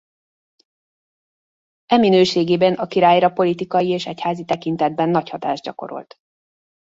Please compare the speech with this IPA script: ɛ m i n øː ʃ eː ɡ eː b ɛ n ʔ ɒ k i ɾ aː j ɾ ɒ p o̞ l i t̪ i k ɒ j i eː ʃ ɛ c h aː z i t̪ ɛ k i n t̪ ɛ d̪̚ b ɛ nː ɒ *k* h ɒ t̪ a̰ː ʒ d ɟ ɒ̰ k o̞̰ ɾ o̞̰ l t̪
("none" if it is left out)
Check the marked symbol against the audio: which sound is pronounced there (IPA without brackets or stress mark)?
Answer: c